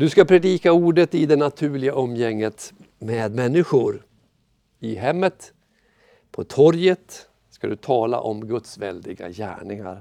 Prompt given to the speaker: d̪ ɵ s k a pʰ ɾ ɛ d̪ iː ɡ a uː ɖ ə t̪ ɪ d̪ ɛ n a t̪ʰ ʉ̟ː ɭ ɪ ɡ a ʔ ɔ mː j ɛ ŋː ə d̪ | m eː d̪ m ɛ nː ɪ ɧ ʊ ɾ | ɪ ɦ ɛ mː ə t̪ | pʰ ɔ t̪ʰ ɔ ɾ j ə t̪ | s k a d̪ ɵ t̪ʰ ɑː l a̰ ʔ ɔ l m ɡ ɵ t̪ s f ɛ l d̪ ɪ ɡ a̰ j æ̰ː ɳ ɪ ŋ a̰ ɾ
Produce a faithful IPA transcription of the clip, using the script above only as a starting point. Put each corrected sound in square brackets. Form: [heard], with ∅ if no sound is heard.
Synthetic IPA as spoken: d̪ ɵ s k a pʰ ɾ ɛ d̪ iː [k] a uː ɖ ə t̪ ɪ d̪ ɛ n a t̪ʰ ʉ̟ː ɭ ɪ ɡ a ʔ ɔ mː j ɛ ŋː ə [t̪] | m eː d̪ m ɛ nː ɪ ɧ ʊ ɾ | ɪ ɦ ɛ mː ə t̪ | pʰ ɔ t̪ʰ ɔ ɾ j ə t̪ | s k a d̪ ɵ t̪ʰ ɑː l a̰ ʔ ɔ [∅] m ɡ ɵ t̪ s [v] ɛ l d̪ ɪ ɡ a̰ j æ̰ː ɳ ɪ ŋ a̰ ɾ